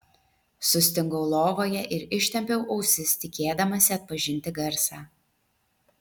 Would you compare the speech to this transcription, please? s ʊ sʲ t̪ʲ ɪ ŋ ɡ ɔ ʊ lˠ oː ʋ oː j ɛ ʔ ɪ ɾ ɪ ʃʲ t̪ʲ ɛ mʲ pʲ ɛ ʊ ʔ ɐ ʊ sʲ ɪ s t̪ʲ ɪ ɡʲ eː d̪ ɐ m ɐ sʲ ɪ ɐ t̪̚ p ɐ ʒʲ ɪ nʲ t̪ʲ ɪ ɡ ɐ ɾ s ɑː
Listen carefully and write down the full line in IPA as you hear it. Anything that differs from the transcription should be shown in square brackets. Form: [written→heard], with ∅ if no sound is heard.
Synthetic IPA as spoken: s ʊ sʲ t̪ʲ ɪ ŋ ɡ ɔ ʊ lˠ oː ʋ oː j ɛ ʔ ɪ ɾ ɪ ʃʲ t̪ʲ ɛ mʲ pʲ ɛ ʊ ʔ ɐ ʊ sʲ ɪ s t̪ʲ ɪ [ɡʲ→kʲ] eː d̪ ɐ m ɐ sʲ ɪ ɐ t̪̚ p ɐ ʒʲ ɪ nʲ t̪ʲ ɪ ɡ ɐ ɾ s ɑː